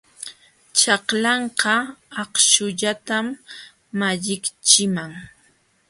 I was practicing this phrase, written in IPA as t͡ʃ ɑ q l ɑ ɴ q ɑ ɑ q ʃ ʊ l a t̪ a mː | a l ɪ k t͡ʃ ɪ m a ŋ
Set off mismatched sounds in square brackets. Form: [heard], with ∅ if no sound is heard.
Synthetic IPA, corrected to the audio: t͡ʃ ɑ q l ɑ ɴ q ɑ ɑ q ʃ ʊ [ʎ] a t̪ a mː | a [ʎ] ɪ k t͡ʃ ɪ m a ŋ